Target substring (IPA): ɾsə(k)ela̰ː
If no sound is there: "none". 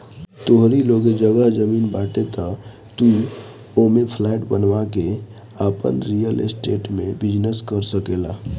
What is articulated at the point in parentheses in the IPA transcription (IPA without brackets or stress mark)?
k